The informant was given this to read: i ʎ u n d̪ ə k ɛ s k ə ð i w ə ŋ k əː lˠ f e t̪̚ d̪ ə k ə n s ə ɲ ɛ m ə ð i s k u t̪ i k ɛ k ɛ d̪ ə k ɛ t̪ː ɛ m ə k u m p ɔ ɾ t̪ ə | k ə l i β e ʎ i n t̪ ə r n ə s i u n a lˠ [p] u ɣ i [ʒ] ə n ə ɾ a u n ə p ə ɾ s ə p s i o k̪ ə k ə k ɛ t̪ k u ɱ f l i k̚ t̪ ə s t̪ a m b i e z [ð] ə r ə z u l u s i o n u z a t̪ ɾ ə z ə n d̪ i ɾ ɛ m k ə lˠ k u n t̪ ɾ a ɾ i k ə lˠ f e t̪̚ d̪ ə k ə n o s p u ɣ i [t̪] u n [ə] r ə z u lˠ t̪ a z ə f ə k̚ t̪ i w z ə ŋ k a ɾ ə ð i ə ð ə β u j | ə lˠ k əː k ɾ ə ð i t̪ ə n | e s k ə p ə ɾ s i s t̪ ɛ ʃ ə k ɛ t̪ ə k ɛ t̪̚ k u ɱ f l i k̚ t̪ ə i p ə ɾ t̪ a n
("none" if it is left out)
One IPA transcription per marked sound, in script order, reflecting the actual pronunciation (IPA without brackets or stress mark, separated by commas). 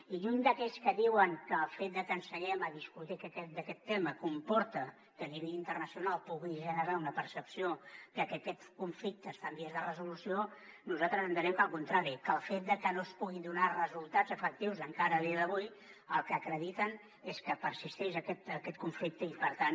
p, ʒ, ð, d̪, a